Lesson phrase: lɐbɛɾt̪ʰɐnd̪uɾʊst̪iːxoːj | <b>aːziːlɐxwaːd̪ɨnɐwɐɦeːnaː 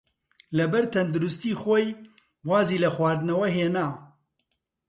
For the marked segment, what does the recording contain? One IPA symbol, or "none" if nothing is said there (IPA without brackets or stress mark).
w